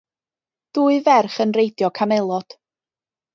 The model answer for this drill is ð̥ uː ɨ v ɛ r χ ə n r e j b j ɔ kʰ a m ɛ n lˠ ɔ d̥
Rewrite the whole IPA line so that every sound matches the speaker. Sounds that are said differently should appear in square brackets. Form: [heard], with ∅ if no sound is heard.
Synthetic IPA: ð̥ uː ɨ v ɛ r χ ə n r e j [d] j ɔ kʰ a m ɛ [∅] lˠ ɔ d̥